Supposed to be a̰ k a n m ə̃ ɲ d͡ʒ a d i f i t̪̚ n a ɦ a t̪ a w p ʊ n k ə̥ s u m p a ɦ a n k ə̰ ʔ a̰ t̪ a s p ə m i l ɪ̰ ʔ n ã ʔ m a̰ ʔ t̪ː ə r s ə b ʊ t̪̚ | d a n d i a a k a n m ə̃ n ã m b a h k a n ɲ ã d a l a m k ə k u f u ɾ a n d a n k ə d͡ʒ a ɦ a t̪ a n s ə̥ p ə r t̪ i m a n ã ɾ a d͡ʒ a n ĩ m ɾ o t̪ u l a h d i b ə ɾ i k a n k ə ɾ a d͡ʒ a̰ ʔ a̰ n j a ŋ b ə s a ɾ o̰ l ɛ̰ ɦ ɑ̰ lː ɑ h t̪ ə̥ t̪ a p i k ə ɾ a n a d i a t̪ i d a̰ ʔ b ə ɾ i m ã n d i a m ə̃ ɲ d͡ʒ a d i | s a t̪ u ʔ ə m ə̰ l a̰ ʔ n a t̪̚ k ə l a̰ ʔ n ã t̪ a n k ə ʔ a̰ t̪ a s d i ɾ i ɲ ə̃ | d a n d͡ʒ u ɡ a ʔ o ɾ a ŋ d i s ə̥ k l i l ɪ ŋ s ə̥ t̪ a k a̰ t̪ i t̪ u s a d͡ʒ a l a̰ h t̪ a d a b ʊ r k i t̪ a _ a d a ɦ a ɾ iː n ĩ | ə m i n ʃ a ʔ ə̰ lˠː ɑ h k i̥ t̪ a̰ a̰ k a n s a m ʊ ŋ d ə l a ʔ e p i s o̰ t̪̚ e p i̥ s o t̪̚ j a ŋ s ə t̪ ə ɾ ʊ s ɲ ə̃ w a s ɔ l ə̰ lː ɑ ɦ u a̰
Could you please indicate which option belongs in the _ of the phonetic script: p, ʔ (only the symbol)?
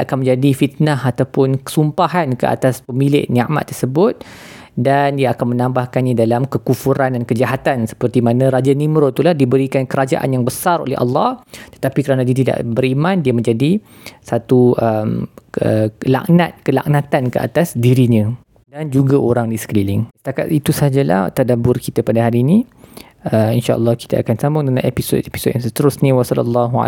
p